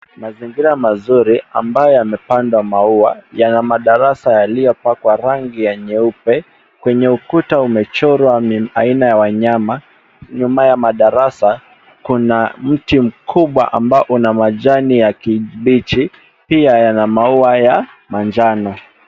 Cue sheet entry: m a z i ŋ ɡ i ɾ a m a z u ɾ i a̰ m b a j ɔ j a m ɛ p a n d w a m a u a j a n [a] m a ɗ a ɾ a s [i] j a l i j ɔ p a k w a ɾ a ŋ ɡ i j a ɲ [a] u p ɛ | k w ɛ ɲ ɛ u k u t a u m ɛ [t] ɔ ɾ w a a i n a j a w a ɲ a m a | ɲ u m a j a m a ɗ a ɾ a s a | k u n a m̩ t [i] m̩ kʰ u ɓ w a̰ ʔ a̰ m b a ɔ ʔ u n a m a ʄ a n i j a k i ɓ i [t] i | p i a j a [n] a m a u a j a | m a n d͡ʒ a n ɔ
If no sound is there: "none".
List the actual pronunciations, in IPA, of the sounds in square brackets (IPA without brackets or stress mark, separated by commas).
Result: a, a, ɛ, t͡ʃ, i, t͡ʃ, n